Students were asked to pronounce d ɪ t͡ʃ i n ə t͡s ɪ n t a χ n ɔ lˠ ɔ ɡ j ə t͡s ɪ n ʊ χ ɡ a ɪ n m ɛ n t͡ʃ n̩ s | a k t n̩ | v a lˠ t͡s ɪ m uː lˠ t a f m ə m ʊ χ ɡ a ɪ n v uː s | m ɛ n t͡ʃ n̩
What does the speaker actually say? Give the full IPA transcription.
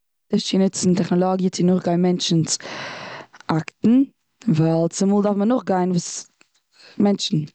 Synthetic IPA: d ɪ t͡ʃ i n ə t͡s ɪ n t ɛ χ n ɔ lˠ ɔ ɡ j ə t͡s ɪ n ʊ χ ɡ a ɪ n m ɛ n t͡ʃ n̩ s | a k t n̩ | v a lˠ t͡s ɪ m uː lˠ d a f m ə n ʊ χ ɡ a ɪ n v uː s | m ɛ n t͡ʃ n̩